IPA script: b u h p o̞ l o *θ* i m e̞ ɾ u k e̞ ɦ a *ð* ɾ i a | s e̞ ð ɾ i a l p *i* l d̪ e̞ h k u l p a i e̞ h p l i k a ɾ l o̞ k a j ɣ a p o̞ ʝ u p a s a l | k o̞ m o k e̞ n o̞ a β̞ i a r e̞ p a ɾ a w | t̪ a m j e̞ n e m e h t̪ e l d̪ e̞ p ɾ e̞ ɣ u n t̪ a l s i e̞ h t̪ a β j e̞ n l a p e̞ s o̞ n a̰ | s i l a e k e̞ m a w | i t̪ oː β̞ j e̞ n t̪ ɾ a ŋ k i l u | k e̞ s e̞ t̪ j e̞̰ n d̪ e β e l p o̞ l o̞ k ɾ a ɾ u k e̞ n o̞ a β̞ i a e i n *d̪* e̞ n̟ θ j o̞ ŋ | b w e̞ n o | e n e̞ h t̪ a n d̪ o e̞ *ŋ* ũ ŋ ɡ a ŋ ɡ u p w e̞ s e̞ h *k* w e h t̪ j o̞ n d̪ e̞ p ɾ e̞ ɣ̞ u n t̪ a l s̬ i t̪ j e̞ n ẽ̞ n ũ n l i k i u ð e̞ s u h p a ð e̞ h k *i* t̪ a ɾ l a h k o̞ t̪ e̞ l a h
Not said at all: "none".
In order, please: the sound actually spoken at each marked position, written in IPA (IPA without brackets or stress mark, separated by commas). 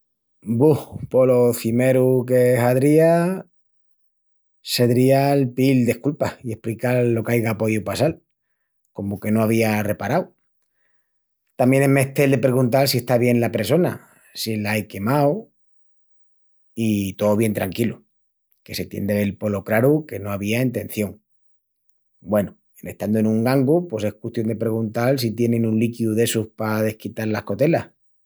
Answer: θ, ð, i, t̪, n, k, i